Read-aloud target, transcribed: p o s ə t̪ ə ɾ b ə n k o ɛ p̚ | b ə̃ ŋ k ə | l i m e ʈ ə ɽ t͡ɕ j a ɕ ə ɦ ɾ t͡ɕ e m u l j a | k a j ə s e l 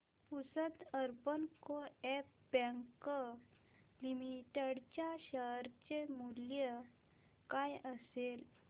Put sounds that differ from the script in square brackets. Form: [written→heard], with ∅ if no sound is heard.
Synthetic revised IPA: p [o→u] s ə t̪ ə ɾ b ə n k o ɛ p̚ | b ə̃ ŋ k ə | l i m [e→i] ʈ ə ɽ t͡ɕ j a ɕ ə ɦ ɾ t͡ɕ e m u l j [a→ə] | k a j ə s e l